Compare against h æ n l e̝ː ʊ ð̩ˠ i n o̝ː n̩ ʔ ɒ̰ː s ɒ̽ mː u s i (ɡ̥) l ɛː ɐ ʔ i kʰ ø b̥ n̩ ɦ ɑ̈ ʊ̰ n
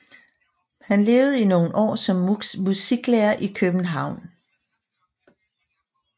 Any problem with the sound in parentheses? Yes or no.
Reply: no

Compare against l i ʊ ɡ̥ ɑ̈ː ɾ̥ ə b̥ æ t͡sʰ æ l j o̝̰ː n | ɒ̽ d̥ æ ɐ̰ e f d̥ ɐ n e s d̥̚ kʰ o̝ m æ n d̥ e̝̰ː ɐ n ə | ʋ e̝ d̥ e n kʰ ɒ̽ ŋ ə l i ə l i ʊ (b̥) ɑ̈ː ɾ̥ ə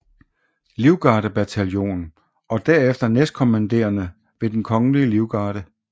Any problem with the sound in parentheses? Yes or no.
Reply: yes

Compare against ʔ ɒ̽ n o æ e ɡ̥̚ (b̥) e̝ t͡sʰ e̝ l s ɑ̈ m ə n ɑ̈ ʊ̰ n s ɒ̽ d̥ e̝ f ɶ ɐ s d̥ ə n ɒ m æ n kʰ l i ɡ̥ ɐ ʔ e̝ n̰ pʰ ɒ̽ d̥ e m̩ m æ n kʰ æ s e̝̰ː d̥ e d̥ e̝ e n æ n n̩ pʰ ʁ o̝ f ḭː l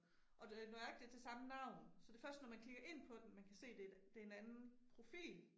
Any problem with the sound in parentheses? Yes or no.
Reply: yes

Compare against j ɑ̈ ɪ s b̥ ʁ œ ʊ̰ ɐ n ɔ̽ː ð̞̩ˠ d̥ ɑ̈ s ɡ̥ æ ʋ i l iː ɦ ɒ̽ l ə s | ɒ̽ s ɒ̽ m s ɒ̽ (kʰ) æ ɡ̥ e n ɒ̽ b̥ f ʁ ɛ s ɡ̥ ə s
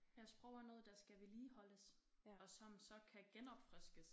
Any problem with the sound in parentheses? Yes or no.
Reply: no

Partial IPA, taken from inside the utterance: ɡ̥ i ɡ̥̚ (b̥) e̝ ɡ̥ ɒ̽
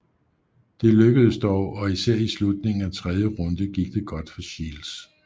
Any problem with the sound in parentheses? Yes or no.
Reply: yes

